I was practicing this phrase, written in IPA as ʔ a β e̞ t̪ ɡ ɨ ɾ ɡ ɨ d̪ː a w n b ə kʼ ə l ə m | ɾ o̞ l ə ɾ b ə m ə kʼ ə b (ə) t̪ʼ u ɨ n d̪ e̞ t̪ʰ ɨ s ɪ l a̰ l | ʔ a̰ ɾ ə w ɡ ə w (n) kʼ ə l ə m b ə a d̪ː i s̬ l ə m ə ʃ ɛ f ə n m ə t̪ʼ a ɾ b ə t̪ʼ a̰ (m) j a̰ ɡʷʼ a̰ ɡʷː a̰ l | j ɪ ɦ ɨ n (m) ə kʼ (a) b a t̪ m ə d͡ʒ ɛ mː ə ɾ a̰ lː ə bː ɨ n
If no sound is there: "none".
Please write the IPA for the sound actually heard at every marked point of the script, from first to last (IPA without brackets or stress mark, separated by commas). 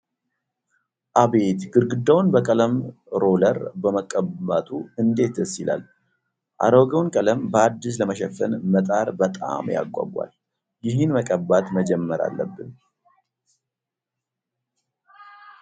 a, n, m, m, ə